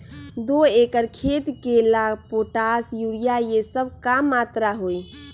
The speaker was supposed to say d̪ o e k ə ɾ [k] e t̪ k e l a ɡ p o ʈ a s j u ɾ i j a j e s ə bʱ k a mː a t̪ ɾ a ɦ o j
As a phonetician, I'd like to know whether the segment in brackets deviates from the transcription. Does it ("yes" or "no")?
yes